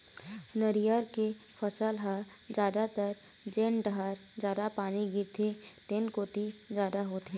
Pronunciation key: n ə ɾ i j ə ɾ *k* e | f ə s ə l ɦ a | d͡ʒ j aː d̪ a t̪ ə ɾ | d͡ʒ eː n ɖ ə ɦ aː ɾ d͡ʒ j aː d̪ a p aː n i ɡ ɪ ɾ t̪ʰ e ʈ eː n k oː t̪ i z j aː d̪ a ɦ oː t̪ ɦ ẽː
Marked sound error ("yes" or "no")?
no